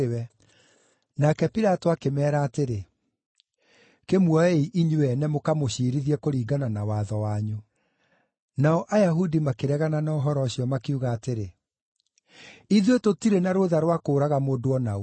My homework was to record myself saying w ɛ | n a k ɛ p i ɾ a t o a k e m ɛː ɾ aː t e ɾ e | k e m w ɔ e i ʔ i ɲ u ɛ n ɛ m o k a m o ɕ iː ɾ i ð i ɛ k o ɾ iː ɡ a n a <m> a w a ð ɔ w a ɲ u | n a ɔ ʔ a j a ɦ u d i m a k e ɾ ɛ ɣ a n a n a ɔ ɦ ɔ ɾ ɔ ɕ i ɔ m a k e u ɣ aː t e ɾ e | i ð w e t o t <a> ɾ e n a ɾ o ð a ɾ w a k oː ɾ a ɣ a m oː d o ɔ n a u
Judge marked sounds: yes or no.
no, no

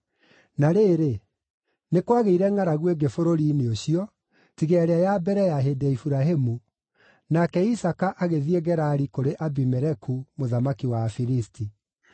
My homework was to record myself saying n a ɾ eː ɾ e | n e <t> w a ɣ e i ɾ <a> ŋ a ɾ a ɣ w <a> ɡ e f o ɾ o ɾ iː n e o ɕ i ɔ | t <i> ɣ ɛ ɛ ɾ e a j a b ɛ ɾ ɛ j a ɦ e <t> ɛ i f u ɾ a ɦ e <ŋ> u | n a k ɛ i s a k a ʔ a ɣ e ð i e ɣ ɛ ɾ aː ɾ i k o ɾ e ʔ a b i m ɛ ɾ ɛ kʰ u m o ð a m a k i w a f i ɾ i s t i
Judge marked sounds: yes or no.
no, no, no, yes, no, no

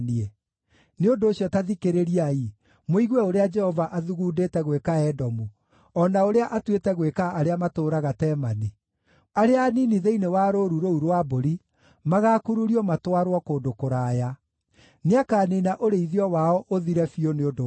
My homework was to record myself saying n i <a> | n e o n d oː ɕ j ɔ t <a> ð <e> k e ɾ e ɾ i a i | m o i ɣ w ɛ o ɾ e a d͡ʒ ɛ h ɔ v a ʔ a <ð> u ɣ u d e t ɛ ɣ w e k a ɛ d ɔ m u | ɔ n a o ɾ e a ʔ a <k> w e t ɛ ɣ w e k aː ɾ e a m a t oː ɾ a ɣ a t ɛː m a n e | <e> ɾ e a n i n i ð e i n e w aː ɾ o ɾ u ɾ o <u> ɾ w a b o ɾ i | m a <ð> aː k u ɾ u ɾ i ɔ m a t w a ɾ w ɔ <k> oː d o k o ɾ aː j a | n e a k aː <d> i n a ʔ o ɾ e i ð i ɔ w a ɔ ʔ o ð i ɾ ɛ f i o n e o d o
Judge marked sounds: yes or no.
no, yes, no, yes, no, no, yes, no, yes, no

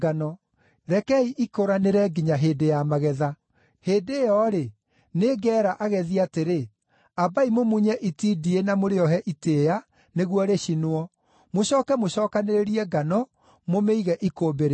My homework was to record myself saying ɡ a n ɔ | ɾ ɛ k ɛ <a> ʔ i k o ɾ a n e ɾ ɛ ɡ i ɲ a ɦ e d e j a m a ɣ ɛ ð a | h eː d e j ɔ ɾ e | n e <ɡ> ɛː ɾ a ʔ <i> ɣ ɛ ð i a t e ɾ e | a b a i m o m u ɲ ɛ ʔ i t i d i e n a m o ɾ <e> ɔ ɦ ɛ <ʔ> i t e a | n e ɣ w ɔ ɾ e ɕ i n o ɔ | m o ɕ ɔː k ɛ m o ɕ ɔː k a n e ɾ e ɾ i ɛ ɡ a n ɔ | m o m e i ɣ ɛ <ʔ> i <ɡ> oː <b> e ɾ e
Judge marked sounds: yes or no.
no, yes, no, yes, yes, yes, no, yes

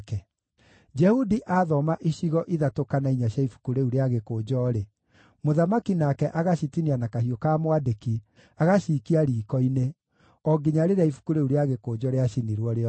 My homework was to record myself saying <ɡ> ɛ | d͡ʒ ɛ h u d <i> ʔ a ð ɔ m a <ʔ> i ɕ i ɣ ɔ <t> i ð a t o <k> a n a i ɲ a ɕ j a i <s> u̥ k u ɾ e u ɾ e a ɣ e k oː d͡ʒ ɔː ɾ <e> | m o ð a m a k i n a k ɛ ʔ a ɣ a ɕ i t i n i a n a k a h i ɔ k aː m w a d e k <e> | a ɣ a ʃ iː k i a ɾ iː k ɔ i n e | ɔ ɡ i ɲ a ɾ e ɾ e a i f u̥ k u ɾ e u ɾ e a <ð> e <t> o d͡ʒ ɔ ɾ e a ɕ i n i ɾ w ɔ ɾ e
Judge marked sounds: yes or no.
no, yes, yes, no, yes, no, yes, no, no, no

